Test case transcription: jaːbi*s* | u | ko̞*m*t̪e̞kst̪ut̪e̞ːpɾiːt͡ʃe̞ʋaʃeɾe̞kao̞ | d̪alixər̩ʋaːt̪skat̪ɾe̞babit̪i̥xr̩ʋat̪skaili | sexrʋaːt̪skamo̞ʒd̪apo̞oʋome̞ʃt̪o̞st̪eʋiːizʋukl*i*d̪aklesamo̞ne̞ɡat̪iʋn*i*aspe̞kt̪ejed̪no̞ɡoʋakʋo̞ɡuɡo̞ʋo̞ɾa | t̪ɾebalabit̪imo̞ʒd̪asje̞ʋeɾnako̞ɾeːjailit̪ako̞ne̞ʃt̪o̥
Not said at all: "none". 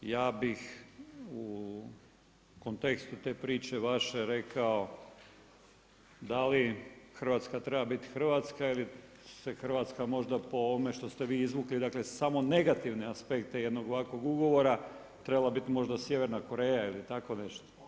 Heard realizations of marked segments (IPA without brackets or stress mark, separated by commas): x, n, i, e